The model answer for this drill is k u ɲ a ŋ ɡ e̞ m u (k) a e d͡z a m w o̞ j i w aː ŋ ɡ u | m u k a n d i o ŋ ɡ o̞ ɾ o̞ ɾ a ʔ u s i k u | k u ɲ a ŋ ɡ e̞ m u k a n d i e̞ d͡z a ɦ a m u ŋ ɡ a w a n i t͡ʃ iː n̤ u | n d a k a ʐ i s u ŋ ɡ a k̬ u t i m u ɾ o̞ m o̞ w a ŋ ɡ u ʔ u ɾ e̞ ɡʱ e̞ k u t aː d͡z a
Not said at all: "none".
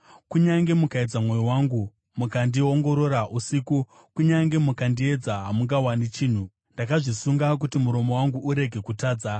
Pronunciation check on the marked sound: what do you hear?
k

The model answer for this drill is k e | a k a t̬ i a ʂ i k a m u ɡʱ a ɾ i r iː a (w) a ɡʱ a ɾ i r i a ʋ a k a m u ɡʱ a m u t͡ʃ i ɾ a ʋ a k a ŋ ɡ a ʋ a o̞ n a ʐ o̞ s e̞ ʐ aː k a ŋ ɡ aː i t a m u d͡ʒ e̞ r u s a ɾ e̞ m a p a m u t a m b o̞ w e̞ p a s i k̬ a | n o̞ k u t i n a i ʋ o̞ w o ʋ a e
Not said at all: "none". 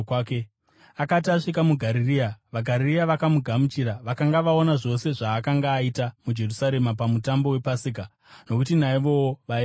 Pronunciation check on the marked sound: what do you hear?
ʋ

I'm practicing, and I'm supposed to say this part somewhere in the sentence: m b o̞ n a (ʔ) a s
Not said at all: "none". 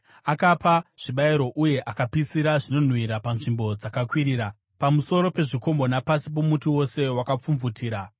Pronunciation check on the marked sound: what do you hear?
p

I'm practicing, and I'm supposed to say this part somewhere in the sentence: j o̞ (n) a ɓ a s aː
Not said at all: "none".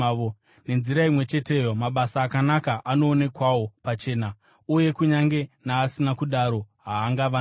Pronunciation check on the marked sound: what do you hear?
m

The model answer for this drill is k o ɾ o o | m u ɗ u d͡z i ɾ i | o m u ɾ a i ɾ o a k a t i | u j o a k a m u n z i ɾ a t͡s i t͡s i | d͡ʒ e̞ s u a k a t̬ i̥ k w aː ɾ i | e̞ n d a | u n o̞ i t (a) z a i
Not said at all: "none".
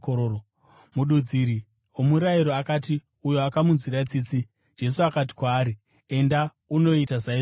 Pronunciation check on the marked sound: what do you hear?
a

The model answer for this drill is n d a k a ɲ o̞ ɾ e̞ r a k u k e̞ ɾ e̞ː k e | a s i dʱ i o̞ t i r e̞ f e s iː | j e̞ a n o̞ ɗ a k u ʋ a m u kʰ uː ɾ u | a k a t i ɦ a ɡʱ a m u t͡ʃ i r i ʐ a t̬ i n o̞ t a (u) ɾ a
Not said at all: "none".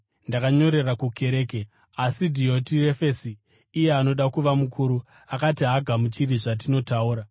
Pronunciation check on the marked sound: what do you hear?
uː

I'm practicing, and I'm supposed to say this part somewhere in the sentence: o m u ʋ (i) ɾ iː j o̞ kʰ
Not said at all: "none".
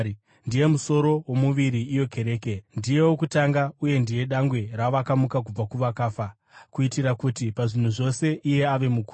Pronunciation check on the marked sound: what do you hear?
i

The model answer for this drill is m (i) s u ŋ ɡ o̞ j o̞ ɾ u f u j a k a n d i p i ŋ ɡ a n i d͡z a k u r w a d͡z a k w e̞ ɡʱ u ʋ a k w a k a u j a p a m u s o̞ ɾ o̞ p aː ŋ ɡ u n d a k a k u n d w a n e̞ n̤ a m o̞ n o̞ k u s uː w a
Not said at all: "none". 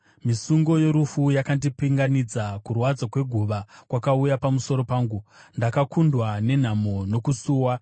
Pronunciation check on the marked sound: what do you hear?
i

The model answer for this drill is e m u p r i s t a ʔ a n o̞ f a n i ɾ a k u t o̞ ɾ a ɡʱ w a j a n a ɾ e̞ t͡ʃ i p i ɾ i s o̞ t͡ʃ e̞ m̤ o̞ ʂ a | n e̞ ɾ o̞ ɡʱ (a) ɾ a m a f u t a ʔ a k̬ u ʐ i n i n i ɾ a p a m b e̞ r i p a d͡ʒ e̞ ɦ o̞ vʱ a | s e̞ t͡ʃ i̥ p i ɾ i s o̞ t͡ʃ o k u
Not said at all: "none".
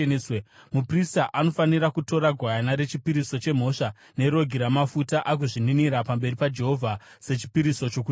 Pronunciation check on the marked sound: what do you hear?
i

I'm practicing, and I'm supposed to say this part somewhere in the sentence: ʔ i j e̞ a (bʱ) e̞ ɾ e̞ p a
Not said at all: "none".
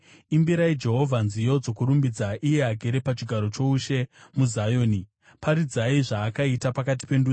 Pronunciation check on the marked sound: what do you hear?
ɡʱ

